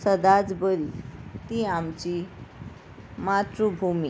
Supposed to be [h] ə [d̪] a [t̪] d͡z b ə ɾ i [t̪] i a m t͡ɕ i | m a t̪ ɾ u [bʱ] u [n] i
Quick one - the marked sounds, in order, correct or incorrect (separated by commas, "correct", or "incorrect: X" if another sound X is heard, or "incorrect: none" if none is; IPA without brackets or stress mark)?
incorrect: s, correct, incorrect: none, correct, correct, incorrect: m